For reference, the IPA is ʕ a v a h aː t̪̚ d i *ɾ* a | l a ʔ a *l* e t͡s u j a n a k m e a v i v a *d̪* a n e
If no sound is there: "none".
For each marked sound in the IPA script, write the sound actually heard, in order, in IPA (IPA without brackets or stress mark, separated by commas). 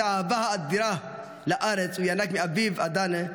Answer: ɾ, ɾ, d̪